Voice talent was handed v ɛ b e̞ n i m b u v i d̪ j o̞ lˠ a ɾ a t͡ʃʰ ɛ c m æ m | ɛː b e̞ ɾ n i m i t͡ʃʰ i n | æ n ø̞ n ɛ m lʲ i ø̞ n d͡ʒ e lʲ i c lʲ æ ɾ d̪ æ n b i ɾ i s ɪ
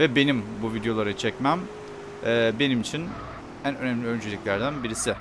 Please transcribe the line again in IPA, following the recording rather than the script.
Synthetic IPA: v ɛ b e̞ n i m b u v i d̪ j o̞ lˠ a ɾ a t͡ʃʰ ɛ c m æ m | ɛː b e̞ n i m i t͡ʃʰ i n | æ n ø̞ n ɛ m lʲ i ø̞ n d͡ʒ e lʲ i c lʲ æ ɾ d̪ æ n b i ɾ i s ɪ